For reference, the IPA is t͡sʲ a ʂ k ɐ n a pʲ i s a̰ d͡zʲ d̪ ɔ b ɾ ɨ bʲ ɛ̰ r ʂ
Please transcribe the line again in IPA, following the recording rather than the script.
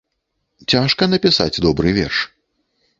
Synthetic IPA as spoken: t͡sʲ a ʂ k ɐ n ɐ pʲ i s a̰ d͡zʲ d̪ ɔ b ɾ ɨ vʲ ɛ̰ r ʂ